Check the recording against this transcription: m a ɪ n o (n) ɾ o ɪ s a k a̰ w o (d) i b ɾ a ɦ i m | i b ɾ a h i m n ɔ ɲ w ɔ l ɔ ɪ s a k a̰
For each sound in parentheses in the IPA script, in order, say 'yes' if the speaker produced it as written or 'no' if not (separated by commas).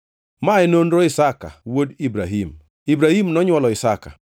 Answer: yes, yes